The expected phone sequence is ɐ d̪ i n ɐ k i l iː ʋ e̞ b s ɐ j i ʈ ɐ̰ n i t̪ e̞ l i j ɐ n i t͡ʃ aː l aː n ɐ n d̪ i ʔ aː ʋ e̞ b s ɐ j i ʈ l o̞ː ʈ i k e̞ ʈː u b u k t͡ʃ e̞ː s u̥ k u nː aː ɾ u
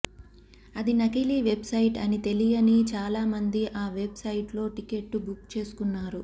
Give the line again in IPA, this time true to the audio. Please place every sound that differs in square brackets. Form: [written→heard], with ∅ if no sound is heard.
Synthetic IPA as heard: ɐ d̪ i n ɐ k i l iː ʋ e̞ b s ɐ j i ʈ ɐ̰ n i t̪ e̞ l i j ɐ n i t͡ʃ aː l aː [n→m] ɐ n d̪ i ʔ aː ʋ e̞ b s ɐ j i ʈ l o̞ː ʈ i k e̞ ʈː u b u k t͡ʃ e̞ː s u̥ k u nː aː ɾ u